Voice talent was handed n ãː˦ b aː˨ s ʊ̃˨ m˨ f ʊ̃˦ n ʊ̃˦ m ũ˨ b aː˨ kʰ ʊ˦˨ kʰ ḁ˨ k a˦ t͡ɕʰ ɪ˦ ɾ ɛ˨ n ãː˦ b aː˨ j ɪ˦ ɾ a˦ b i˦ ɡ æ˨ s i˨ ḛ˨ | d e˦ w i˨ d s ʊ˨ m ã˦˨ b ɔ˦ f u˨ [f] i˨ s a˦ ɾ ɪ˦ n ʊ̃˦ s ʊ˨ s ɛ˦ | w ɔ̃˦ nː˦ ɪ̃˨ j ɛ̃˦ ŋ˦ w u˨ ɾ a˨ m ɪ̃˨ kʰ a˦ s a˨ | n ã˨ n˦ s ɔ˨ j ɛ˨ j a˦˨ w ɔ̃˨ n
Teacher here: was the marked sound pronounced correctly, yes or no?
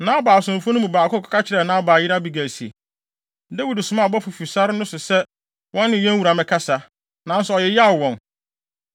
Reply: yes